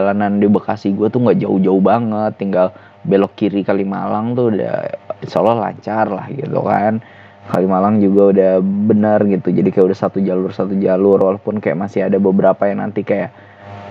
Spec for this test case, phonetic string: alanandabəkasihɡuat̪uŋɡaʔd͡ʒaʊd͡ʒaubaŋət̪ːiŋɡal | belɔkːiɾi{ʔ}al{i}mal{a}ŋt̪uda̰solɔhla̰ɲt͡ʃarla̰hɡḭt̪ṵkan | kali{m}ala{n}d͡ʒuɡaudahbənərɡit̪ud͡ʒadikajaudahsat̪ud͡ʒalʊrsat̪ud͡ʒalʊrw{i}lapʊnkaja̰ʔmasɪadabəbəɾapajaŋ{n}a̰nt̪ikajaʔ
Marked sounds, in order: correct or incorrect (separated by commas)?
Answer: incorrect, correct, correct, correct, incorrect, incorrect, correct